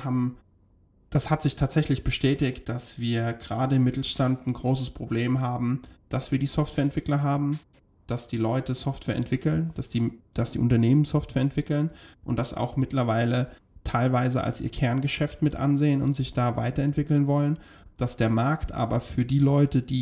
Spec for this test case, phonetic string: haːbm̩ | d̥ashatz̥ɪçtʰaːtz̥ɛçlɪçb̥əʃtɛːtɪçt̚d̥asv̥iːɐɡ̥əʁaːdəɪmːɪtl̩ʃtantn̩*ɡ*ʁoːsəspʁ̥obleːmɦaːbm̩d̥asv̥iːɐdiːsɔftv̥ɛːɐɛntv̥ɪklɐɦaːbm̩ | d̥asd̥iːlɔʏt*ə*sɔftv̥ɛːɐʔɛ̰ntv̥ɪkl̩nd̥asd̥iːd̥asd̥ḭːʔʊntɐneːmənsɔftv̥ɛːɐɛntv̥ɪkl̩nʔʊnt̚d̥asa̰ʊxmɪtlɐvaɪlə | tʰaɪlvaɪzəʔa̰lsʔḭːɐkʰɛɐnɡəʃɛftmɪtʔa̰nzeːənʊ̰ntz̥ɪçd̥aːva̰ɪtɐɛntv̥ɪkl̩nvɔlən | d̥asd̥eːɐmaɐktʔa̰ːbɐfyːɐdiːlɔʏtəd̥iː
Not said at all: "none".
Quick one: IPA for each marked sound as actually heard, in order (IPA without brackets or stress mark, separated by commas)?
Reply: ɡ, ə